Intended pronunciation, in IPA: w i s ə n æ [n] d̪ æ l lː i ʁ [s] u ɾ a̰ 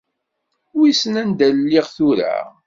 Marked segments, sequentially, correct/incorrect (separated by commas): correct, incorrect